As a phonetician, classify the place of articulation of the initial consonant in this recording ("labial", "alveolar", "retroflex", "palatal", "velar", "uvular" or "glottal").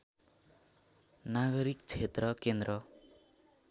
alveolar